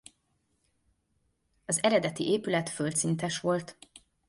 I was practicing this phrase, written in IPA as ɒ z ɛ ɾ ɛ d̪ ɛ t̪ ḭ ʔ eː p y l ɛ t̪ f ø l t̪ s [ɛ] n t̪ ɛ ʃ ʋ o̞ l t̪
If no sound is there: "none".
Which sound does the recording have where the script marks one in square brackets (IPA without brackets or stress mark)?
i